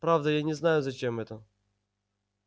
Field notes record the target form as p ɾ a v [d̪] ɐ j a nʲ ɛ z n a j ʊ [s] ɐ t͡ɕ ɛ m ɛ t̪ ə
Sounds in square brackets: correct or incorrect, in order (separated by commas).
correct, incorrect